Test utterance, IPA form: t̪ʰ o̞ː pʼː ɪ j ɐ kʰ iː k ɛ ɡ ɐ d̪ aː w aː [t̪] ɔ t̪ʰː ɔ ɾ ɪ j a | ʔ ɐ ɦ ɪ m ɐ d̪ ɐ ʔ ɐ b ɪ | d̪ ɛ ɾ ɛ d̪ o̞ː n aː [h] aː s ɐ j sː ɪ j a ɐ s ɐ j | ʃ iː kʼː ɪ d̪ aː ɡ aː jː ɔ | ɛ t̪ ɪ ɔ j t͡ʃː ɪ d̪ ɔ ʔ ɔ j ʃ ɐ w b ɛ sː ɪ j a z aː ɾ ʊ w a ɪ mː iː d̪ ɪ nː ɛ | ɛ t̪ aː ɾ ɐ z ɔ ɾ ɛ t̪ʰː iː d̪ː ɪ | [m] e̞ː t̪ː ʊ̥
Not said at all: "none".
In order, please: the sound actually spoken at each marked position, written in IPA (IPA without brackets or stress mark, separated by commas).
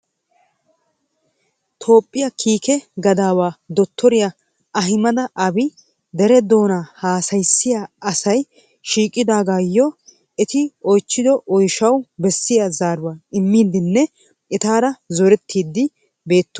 d̪, h, b